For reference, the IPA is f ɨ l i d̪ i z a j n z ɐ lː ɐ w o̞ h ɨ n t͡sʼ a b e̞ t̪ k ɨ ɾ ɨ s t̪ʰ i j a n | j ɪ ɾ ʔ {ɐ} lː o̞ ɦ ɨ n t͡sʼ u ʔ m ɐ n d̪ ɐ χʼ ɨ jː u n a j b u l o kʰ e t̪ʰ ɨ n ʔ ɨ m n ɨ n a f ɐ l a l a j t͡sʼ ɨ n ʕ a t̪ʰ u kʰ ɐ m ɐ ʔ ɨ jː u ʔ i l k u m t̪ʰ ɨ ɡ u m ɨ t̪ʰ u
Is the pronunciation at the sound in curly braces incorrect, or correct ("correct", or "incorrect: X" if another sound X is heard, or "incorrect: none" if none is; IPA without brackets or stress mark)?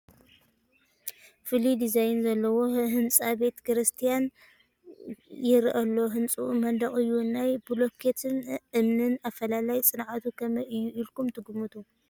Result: correct